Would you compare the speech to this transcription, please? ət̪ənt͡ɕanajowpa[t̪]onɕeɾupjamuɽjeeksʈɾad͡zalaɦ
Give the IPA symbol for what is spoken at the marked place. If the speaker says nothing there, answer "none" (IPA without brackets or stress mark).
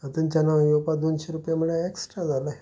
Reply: d̪